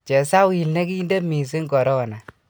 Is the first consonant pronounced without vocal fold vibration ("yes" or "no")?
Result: yes